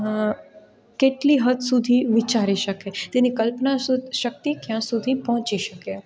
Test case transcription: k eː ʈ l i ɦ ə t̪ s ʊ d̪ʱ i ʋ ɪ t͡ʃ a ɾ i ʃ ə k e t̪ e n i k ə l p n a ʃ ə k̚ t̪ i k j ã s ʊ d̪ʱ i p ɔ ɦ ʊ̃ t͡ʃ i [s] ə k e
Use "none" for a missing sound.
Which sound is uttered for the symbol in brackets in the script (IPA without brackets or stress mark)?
ʃ